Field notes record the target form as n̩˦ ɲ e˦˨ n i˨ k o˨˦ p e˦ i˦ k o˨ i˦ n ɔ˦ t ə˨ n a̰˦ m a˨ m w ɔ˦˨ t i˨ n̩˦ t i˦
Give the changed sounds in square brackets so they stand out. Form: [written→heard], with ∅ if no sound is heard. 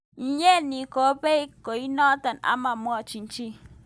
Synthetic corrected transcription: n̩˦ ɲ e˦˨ n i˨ k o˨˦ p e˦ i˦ k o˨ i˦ n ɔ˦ t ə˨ n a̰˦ m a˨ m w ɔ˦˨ [t→t͡ʃ] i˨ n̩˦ [t→t͡ʃ] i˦